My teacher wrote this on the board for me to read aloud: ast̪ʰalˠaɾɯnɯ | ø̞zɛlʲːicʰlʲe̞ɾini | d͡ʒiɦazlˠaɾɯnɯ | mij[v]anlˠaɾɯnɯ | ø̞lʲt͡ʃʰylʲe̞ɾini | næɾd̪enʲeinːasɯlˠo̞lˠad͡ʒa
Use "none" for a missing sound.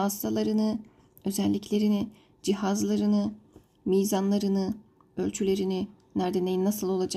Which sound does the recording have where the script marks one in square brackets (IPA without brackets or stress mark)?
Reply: z